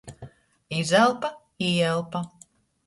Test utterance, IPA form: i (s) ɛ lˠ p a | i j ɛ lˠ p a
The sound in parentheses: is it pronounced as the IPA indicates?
no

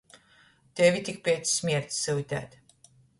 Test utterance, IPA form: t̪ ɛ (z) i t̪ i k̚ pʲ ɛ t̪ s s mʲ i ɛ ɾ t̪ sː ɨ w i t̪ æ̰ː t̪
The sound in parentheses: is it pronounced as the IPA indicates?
no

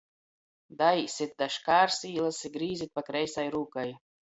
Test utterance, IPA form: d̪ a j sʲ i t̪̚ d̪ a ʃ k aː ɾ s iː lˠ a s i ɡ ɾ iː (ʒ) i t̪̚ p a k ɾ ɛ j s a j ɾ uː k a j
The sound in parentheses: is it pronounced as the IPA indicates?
no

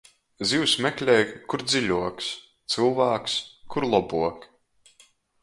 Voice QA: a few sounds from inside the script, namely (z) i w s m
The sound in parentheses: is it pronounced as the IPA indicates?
yes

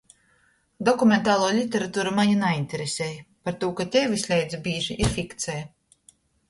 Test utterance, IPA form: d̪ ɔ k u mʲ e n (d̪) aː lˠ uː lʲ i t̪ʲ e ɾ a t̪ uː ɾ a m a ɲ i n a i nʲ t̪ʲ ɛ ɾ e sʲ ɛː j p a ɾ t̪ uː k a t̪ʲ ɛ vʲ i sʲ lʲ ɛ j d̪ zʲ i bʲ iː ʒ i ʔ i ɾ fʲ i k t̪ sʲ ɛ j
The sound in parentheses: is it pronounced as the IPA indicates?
no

